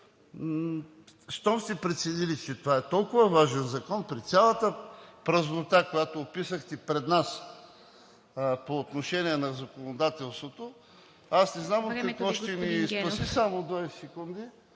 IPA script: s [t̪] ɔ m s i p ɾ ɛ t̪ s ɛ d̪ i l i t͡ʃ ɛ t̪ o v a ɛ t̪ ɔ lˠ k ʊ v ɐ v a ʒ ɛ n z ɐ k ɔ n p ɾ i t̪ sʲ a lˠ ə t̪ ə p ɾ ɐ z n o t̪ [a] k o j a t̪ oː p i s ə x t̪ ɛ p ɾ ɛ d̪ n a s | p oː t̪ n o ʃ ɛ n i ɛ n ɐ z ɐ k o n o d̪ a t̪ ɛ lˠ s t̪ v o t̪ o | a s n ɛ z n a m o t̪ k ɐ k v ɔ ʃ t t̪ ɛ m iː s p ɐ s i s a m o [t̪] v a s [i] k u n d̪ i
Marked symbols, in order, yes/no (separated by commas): yes, yes, no, no